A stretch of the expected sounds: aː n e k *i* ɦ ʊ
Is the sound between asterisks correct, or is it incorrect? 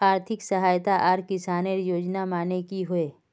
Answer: correct